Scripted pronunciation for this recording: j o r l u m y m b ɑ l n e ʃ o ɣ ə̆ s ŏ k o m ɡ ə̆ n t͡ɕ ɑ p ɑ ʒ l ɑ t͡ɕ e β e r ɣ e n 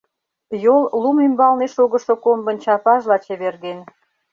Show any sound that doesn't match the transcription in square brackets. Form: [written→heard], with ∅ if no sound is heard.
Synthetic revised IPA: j o [r→l] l u m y m b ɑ l n e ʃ o ɣ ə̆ [s→ʃ] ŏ k o m [ɡ→b] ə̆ n t͡ɕ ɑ p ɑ ʒ l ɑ t͡ɕ e β e r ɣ e n